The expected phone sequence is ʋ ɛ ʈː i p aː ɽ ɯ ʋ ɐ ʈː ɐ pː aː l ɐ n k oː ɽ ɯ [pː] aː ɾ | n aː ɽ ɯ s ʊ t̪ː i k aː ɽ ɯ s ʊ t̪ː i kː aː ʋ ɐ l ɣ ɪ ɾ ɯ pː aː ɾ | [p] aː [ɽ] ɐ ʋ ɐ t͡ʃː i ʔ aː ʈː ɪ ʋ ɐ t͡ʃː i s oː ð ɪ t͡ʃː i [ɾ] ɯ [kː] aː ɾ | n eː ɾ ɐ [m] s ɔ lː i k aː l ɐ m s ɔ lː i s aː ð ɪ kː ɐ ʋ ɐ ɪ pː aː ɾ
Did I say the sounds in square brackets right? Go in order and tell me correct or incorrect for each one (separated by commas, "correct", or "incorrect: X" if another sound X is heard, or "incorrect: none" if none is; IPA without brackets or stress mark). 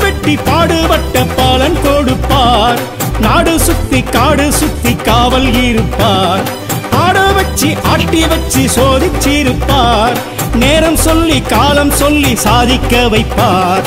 correct, correct, correct, correct, incorrect: pː, correct